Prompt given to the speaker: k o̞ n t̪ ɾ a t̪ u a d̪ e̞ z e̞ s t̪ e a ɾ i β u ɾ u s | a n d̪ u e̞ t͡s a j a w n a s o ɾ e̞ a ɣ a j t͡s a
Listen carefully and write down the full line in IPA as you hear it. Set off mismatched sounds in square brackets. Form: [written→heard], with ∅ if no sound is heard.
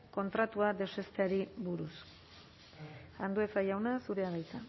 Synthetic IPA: k o̞ n t̪ ɾ a t̪ u a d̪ e̞ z e̞ s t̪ e a ɾ i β u ɾ u s | a n d̪ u e̞ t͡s a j a w n a s [o→u] ɾ e̞ a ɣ a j t͡s a